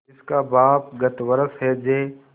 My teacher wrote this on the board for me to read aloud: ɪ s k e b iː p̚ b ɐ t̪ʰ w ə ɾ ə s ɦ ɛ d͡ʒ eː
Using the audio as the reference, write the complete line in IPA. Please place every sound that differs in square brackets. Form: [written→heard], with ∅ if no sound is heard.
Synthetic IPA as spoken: ɪ s k [e→a] b [iː→aː] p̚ [b→ɡ] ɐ [t̪ʰ→t̪] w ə ɾ ə s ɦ ɛ d͡ʒ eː